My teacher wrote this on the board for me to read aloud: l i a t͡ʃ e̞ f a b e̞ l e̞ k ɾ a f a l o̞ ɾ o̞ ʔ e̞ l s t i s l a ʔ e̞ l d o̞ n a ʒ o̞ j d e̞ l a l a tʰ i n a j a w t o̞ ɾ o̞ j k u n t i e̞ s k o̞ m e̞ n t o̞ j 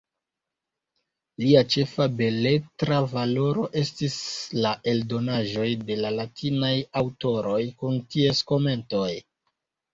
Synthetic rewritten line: l i a t͡ʃ e̞ f a b e̞ l e̞ t ɾ a v a l o̞ ɾ o̞ ʔ e̞ s t i s l a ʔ e̞ l d o̞ n a ʒ o̞ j d e̞ l a l a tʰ i n a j a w t o̞ ɾ o̞ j k u n t i e̞ s k o̞ m e̞ n t o̞ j